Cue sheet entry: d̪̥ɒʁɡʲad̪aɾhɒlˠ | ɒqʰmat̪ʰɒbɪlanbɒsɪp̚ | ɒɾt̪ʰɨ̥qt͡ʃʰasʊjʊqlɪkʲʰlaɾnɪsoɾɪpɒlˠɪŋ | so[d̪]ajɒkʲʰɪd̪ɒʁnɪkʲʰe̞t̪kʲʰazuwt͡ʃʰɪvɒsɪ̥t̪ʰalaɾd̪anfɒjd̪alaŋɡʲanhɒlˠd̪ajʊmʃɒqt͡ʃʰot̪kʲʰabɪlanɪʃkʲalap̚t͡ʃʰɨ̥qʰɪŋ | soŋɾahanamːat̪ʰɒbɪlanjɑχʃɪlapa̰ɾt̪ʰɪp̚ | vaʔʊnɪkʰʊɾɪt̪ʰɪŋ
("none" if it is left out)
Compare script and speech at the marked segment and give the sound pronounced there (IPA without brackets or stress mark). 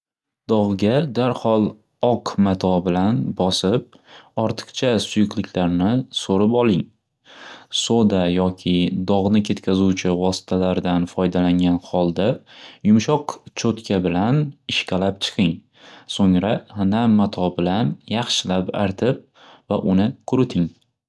d̪